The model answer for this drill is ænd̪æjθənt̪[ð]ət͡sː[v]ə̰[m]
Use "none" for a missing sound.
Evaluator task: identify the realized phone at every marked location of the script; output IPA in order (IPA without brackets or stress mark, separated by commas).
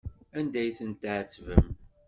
ʕ, v, m